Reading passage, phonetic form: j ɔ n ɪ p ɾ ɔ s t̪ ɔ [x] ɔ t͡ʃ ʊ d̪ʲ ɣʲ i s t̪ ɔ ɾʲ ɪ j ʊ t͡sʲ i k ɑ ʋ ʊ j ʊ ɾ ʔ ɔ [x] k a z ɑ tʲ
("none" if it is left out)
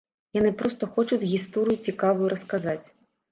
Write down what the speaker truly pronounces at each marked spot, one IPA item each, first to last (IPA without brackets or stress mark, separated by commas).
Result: x, s